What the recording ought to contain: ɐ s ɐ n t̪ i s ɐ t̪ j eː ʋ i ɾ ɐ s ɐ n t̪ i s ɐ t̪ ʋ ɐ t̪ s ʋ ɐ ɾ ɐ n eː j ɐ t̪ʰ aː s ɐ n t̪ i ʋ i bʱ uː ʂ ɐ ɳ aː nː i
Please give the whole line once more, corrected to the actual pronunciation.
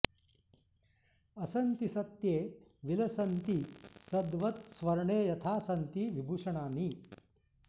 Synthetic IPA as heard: ɐ s ɐ n t̪ i s ɐ t̪ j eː ʋ i l ɐ s ɐ n t̪ i s ɐ d̪ ʋ ɐ t̪ s ʋ ɐ ɾ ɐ ɳ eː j ɐ t̪ʰ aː s ɐ n t̪ i ʋ i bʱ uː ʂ ɐ ɳ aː n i